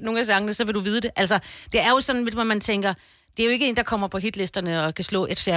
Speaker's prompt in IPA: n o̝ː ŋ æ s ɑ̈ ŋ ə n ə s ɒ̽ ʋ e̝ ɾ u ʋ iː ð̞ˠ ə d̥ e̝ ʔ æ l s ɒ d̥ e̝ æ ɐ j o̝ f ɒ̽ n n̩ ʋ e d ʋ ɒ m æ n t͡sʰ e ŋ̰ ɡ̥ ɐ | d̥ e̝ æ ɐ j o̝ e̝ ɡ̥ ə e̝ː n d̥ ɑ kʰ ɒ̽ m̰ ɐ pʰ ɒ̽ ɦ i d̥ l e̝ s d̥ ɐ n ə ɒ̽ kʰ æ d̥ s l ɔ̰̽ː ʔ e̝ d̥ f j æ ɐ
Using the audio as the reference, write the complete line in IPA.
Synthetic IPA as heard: n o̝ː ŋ æ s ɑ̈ ŋ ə n ə s ɒ̽ ʋ e̝ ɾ u ʋ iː ð̞ˠ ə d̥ e̝ ʔ æ l s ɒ d̥ e̝ æ ɐ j o̝ s ɒ̽ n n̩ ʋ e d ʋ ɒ m æ n t͡sʰ e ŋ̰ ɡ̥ ɐ | d̥ e̝ æ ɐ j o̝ e̝ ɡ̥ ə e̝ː n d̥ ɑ kʰ ɒ̽ m̰ ɐ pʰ ɒ̽ ɦ i d̥ l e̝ s d̥ ɐ n ə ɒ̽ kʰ æ s l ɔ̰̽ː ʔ e̝ d̥ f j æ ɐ